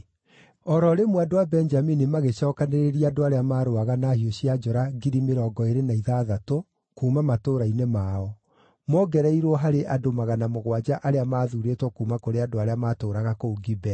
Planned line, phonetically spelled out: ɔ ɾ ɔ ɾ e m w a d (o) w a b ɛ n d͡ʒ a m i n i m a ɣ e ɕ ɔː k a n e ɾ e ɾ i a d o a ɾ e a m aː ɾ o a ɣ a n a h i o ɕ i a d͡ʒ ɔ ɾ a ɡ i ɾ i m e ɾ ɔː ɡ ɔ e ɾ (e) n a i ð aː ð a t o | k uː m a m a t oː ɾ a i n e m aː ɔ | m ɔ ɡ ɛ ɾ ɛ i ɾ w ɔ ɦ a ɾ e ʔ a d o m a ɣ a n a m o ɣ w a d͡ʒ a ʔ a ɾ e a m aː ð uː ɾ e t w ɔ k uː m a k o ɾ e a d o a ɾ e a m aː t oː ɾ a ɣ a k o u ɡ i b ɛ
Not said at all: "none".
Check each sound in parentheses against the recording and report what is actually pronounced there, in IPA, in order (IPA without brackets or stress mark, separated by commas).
o, e